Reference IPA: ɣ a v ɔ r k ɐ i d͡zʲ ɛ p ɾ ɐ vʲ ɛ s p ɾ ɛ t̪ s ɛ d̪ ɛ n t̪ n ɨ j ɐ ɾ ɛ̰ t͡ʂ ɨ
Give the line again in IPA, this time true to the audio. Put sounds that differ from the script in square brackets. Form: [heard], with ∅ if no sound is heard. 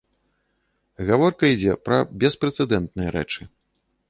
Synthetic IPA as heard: ɣ a v ɔ r k ɐ i d͡zʲ ɛ p ɾ ɐ [bʲ] ɛ s p ɾ ɛ t̪ s ɛ d̪ ɛ n t̪ n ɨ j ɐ ɾ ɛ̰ t͡ʂ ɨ